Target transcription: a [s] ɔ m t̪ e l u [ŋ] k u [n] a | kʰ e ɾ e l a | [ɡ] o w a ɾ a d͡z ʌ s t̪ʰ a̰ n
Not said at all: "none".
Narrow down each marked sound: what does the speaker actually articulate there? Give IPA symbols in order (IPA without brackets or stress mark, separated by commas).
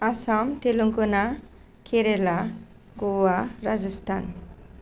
s, ŋ, n, ɡ